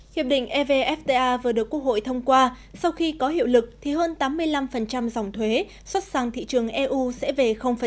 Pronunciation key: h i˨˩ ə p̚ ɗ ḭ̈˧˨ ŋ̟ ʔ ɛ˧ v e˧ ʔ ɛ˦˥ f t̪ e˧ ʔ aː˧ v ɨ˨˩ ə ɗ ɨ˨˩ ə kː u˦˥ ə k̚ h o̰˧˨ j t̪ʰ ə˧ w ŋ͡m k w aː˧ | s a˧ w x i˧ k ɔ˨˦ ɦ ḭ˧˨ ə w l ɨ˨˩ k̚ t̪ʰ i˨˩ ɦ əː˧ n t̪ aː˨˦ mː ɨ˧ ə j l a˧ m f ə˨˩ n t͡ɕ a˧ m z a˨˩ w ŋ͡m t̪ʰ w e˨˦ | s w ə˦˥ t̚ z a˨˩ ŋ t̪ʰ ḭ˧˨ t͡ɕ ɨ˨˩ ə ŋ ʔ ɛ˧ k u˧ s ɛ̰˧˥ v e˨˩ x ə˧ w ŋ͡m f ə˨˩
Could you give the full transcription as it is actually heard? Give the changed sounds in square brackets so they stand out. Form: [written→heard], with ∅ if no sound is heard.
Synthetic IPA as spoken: h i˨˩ ə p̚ ɗ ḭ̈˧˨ ŋ̟ ʔ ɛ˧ v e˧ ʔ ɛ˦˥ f t̪ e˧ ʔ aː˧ v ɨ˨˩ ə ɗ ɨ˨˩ ə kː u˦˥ ə k̚ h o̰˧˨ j t̪ʰ ə˧ w ŋ͡m k w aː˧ | s a˧ w x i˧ k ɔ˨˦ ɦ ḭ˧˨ ə w l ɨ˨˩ k̚ t̪ʰ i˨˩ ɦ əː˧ n t̪ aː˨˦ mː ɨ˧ ə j l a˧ m f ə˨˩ n t͡ɕ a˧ m z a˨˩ w ŋ͡m t̪ʰ w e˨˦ | s w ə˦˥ t̚ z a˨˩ ŋ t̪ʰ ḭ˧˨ t͡ɕ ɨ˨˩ ə ŋ ʔ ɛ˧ [k→ʔ] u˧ s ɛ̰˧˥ v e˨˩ x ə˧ w ŋ͡m f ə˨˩